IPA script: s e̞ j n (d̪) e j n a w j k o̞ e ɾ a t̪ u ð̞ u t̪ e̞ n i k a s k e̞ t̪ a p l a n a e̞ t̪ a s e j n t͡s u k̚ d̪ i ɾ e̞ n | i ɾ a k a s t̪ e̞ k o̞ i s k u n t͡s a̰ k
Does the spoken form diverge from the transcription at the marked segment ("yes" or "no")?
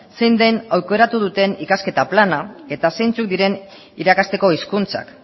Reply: no